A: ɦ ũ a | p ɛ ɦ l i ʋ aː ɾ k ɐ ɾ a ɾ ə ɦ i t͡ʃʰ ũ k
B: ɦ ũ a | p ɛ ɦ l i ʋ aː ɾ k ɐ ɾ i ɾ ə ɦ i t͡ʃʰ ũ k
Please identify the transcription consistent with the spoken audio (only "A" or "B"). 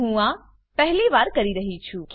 B